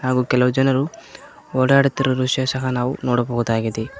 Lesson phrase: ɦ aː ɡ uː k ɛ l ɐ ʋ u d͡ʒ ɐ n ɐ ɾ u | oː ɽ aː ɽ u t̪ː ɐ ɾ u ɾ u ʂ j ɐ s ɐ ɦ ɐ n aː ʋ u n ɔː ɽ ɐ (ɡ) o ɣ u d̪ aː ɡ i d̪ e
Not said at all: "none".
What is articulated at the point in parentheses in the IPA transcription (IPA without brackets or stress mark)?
b